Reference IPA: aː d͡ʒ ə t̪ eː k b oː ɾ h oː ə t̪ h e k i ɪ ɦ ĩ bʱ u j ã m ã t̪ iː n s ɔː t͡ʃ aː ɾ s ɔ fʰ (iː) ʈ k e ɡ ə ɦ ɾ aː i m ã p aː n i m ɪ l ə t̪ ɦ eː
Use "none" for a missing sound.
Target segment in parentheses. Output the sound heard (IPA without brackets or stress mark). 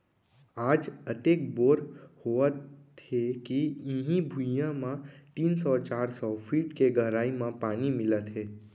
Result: iː